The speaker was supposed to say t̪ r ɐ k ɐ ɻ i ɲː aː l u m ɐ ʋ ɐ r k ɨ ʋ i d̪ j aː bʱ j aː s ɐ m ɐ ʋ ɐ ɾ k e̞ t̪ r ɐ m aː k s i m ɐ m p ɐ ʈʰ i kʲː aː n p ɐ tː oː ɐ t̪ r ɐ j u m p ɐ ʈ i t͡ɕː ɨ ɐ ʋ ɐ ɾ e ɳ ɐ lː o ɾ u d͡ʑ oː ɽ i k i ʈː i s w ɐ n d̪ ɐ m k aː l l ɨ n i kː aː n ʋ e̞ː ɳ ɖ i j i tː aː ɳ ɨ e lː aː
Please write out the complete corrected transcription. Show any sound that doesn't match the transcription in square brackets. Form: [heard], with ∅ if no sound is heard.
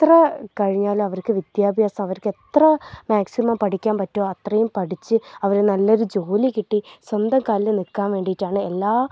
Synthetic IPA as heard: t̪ r ɐ k ɐ ɻ i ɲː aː l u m ɐ ʋ ɐ r k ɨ ʋ i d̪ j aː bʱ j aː s ɐ m ɐ ʋ ɐ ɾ k e̞ t̪ r ɐ m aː k s i m ɐ m p ɐ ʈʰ i kʲː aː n p ɐ tː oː ɐ t̪ r ɐ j u m p ɐ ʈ i t͡ɕː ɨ ɐ ʋ ɐ ɾ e [n] ɐ lː o ɾ u d͡ʑ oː [l] i k i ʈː i s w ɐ n d̪ ɐ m k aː l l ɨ n i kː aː n ʋ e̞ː ɳ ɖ i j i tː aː ɳ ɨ e lː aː